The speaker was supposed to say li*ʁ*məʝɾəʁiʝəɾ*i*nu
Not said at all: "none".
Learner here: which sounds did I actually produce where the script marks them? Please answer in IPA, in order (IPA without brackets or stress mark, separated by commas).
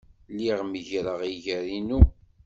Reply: ʁ, i